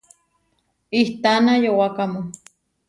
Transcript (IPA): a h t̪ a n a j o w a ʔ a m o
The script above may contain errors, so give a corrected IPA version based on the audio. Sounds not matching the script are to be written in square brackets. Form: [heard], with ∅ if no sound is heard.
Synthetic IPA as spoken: [i] h t̪ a n a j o w a [k] a m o